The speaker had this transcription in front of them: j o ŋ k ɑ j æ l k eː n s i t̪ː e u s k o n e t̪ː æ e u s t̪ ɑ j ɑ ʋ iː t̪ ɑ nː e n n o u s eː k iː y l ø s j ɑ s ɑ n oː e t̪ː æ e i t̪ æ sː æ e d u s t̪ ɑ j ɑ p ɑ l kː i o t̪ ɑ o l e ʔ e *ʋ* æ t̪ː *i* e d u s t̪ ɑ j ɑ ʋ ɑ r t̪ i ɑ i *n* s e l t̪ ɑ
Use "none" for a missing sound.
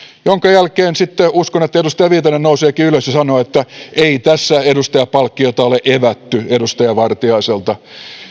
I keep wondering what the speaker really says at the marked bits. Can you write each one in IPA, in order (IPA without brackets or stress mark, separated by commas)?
ʋ, y, none